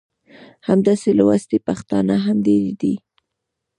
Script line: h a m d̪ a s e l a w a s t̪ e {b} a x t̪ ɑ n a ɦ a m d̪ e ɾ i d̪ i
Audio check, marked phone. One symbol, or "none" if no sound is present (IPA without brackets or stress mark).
p